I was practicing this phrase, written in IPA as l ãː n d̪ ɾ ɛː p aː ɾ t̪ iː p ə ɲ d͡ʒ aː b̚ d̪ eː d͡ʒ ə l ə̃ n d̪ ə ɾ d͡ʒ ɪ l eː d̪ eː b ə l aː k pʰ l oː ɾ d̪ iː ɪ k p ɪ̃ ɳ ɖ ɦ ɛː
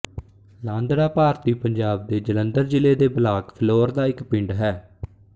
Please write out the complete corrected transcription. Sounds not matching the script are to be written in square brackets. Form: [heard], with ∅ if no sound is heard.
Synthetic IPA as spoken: l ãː n d̪ ɾ [aː] p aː ɾ t̪ iː p ə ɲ d͡ʒ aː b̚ d̪ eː d͡ʒ ə l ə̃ n d̪ ə ɾ d͡ʒ ɪ l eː d̪ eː b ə l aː k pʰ l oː ɾ d̪ [aː] ɪ k p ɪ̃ ɳ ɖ ɦ ɛː